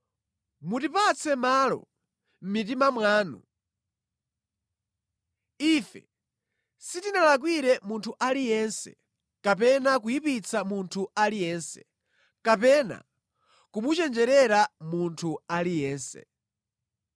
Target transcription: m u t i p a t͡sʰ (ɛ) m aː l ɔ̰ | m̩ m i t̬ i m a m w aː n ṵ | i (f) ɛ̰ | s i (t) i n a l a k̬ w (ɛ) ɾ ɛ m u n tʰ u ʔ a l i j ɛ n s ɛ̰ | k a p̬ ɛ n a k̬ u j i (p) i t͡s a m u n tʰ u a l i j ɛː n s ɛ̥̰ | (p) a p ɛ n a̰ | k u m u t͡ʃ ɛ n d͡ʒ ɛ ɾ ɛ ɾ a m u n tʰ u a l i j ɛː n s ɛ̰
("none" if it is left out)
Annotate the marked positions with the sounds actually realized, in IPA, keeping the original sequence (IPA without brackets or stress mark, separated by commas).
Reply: ɛ, f, t, i, p, k